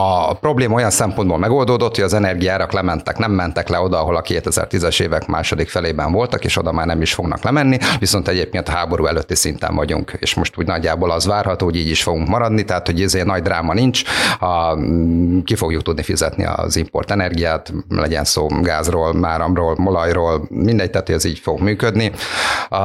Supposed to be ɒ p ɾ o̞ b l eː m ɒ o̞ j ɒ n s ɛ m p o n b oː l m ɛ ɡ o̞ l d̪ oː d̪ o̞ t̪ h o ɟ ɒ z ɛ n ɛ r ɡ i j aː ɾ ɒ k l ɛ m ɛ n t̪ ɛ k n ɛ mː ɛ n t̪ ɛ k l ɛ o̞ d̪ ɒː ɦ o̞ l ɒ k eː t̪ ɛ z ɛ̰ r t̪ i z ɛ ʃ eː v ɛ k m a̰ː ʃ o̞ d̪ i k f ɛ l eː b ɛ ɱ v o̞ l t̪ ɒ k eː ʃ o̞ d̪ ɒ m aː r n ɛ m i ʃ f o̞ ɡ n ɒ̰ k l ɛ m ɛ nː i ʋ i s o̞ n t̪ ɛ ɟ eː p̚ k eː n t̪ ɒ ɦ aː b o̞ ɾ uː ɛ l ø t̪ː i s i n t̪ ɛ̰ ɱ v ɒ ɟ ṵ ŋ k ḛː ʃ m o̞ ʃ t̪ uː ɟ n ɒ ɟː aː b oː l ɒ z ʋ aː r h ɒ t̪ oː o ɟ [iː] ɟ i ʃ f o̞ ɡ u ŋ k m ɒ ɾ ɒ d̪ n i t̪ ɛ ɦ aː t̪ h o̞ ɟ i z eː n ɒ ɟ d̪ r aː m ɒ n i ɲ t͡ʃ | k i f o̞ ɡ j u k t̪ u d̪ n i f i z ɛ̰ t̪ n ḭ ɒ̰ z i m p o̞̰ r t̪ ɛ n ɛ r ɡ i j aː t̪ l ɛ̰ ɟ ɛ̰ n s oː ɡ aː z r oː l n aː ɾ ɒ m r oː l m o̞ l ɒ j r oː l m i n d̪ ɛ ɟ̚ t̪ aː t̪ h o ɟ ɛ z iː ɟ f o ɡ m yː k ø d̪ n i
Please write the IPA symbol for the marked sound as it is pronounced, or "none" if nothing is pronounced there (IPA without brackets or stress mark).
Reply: iː